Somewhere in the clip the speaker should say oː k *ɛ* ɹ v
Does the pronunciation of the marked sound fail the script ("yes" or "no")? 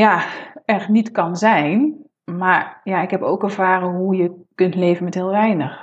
no